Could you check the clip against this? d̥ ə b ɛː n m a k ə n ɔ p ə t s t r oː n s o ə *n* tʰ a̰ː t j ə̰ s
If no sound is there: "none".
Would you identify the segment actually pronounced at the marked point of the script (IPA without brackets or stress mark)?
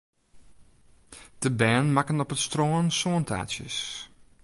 n